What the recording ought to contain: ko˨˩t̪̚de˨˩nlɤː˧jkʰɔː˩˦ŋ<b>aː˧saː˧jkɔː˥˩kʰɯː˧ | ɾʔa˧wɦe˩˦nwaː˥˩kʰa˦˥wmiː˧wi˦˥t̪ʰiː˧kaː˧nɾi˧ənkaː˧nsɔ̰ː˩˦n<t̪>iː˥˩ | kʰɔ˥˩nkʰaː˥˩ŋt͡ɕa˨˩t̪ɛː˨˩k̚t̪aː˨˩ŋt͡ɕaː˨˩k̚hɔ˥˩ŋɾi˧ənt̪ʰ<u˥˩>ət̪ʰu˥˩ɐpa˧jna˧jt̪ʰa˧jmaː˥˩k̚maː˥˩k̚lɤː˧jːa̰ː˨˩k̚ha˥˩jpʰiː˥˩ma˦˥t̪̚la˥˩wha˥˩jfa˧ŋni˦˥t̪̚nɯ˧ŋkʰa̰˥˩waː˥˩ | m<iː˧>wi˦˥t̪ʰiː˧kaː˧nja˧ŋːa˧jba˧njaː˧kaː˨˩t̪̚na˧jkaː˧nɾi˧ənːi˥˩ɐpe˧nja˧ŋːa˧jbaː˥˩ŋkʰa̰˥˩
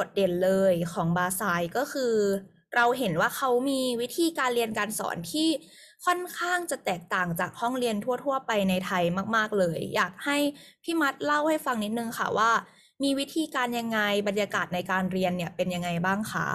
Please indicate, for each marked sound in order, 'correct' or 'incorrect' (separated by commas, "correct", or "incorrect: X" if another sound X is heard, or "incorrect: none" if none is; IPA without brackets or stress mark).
correct, incorrect: t̪ʰ, correct, correct